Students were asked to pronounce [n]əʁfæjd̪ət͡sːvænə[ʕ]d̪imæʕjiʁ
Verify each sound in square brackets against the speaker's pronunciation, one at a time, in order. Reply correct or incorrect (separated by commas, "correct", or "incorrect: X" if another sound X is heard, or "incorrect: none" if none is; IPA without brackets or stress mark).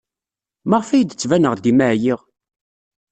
incorrect: m, incorrect: ʁ